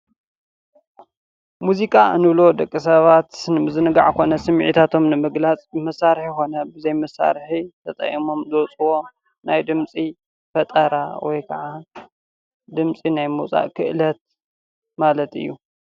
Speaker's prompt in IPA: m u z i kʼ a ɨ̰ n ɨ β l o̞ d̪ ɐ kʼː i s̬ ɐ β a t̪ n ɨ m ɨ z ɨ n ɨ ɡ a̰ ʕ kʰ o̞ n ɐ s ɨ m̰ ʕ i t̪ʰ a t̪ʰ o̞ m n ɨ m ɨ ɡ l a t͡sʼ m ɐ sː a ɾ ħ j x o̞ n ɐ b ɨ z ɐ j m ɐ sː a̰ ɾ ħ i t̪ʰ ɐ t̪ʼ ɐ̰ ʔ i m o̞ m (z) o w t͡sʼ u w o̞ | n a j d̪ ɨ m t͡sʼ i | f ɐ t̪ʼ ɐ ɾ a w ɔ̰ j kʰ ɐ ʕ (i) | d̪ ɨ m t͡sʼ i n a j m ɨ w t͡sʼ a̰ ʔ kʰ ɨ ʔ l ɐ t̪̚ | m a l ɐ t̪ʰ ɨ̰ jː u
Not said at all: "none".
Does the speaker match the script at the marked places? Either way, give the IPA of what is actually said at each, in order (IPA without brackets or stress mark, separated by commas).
z, a